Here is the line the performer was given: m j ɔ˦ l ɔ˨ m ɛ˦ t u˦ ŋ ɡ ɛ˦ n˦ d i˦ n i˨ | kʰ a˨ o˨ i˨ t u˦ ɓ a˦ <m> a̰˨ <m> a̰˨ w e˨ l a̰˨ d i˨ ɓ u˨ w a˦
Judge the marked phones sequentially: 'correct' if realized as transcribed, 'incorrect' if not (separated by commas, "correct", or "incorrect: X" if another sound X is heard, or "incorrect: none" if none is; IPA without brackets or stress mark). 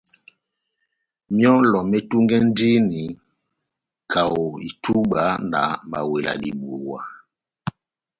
incorrect: n, correct